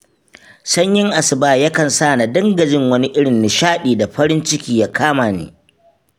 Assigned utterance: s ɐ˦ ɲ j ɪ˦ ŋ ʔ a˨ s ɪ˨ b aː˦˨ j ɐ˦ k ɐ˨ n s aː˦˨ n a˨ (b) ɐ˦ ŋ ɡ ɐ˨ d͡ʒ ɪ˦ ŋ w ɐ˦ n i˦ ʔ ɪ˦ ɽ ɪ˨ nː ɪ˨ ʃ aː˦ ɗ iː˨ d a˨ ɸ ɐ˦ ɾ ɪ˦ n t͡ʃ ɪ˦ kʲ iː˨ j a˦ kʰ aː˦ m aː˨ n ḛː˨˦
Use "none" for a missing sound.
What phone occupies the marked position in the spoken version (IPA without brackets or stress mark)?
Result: d